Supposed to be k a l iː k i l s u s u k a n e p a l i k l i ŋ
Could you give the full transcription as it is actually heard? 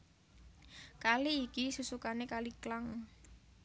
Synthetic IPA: k a l iː k i s u s u k a n e k a l i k l a ŋ